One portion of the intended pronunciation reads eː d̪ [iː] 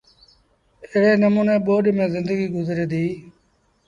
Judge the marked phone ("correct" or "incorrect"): correct